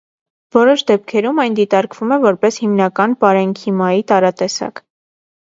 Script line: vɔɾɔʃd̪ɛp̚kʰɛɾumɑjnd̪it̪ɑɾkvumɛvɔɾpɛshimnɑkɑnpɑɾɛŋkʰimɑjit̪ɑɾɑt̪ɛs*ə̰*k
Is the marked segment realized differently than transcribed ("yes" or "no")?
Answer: yes